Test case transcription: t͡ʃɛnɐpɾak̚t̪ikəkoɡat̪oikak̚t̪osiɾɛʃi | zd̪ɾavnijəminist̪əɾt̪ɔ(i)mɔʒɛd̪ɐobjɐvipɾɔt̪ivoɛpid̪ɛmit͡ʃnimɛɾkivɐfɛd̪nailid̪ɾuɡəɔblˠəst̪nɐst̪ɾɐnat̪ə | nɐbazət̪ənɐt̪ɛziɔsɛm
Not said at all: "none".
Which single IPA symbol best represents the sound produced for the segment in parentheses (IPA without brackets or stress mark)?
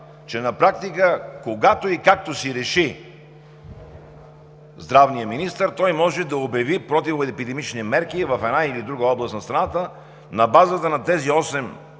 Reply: j